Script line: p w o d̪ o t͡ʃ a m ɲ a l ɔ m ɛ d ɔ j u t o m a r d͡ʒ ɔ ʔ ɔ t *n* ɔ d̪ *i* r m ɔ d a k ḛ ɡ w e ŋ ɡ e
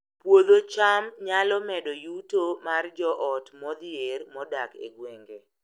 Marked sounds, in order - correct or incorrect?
incorrect: m, incorrect: e

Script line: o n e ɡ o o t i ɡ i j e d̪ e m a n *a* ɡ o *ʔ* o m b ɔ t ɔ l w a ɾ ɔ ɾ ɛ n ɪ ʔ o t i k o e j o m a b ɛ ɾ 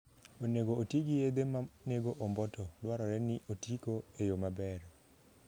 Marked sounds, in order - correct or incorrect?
incorrect: e, correct

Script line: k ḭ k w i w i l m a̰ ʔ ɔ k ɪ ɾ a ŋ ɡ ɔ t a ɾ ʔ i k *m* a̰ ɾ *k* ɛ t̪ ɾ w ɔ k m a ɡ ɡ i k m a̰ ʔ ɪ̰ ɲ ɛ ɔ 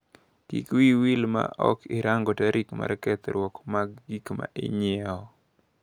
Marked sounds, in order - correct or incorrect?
correct, correct

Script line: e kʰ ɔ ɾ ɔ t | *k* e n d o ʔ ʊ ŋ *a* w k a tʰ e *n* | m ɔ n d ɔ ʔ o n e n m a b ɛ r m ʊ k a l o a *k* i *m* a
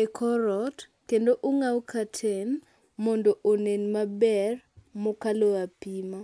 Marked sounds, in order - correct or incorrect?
correct, correct, correct, incorrect: p, correct

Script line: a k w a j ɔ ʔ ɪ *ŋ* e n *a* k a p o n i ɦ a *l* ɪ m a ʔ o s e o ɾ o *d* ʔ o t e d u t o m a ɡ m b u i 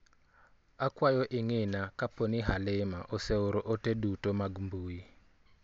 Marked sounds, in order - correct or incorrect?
correct, correct, correct, incorrect: none

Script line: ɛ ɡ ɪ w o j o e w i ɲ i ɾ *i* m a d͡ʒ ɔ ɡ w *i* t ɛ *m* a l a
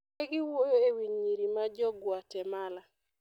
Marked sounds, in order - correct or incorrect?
correct, incorrect: a, correct

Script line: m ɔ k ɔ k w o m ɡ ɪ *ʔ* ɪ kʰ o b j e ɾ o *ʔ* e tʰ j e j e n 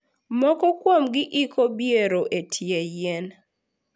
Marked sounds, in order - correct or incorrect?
correct, correct

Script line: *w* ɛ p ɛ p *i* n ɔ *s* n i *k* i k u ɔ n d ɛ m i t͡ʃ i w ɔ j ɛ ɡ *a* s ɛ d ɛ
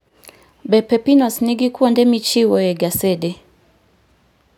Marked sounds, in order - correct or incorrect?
incorrect: b, correct, correct, incorrect: ɡ, correct

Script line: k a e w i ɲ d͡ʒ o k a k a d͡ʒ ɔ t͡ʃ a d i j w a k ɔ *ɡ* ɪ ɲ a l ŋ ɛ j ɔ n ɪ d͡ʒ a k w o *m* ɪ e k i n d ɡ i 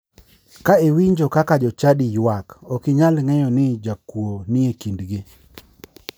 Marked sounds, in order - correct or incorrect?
incorrect: k, incorrect: n

